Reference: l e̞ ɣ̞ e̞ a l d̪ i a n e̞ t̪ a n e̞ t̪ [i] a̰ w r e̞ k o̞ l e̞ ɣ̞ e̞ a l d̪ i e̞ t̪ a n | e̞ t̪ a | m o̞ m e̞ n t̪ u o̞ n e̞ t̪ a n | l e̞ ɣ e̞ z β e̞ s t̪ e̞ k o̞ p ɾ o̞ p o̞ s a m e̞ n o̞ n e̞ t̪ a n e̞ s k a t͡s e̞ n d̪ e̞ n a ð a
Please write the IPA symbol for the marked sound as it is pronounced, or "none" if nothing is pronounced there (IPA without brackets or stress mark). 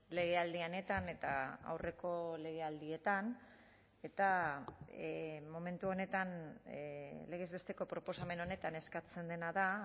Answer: a